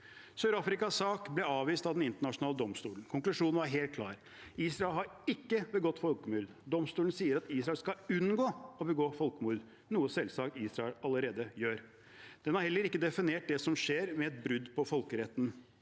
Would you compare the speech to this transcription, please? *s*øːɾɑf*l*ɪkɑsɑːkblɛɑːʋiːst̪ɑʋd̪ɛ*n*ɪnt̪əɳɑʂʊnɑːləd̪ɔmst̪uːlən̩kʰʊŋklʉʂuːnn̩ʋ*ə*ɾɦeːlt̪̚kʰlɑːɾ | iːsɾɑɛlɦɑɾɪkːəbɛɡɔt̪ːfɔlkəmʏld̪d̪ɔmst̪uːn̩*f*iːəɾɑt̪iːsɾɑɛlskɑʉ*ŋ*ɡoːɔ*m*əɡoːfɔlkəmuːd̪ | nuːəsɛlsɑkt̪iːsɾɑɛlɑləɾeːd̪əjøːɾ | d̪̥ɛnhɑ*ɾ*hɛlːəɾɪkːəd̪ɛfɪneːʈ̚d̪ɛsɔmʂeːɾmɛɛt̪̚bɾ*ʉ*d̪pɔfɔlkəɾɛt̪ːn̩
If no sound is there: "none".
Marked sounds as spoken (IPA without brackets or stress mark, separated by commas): s, ɾ, n, ɑ, s, n, b, ɾ, ʉ